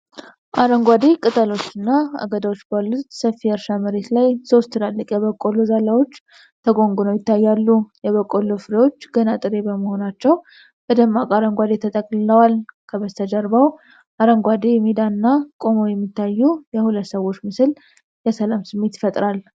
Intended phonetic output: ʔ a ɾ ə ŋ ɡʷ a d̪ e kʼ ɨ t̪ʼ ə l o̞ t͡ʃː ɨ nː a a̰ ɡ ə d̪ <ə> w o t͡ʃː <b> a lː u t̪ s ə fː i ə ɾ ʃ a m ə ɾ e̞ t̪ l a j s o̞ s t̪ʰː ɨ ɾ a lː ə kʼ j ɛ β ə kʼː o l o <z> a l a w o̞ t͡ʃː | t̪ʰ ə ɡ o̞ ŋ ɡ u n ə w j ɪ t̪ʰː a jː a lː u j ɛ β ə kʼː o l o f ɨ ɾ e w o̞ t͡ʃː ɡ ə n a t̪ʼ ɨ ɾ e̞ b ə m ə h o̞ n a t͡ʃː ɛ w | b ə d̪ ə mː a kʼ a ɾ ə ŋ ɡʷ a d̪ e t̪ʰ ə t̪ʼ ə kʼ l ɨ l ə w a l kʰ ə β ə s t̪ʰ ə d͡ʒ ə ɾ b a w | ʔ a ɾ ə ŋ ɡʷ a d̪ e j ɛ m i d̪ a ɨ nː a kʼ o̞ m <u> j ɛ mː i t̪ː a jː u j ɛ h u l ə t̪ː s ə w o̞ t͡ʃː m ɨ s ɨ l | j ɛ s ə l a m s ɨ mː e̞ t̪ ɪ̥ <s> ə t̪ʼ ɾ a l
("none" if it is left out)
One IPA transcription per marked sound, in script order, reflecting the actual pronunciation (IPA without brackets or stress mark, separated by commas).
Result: a, b, z, o, f